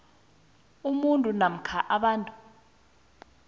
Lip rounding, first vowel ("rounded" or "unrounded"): rounded